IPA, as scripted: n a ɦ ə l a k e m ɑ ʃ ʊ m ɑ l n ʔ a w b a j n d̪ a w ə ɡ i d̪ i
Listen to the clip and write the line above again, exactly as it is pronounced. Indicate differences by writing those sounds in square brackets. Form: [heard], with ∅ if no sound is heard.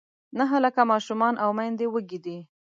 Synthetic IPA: n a ɦ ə l a k [a] m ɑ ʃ [u] m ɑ [∅] n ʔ a w [m] a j n d̪ [e] w ə ɡ i d̪ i